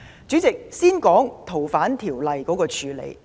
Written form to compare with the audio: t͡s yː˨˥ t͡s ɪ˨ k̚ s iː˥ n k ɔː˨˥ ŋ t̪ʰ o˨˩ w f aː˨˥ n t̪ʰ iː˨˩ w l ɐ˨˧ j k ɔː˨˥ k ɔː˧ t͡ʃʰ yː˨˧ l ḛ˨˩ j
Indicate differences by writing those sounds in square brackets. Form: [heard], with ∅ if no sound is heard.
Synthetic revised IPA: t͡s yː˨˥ t͡s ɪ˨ k̚ s iː˥ n k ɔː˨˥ ŋ t̪ʰ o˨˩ w f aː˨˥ n t̪ʰ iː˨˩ w l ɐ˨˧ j k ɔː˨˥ k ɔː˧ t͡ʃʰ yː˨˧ l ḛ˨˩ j